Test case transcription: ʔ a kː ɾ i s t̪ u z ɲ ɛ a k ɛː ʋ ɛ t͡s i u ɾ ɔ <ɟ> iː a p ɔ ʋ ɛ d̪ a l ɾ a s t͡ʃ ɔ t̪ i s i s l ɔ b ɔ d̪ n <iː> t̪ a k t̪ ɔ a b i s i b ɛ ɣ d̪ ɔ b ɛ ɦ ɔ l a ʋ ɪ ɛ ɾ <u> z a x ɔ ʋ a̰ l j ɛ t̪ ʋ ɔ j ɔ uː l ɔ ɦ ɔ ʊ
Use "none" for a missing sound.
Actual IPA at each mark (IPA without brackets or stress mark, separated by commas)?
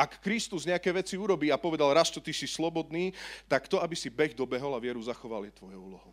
b, iː, u